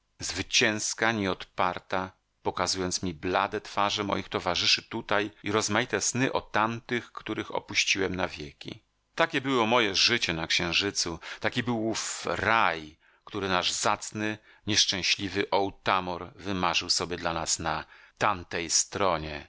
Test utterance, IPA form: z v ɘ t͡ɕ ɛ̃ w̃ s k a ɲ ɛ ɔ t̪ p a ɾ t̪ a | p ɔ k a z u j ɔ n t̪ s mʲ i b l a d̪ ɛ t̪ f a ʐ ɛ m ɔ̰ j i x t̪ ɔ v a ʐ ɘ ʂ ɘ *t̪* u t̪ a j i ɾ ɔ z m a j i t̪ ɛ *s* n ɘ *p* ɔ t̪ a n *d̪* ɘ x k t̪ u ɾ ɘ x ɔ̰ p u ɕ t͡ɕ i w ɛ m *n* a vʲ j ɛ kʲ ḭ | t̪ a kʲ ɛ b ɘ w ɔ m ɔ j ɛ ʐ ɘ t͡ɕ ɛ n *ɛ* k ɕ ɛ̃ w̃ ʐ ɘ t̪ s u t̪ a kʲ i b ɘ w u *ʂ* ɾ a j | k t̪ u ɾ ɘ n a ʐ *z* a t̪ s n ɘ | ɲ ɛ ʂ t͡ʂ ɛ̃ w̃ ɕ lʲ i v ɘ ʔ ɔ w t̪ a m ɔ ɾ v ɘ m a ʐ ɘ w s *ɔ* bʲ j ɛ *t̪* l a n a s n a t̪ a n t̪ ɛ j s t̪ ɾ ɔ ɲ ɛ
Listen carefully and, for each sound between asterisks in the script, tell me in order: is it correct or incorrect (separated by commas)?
correct, correct, incorrect, incorrect, correct, incorrect, incorrect, correct, correct, incorrect